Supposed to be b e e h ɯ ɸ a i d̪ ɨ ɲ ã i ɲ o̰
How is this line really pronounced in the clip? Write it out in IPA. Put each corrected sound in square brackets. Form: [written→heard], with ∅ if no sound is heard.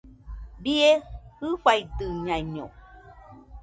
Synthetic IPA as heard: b [e→i] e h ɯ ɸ a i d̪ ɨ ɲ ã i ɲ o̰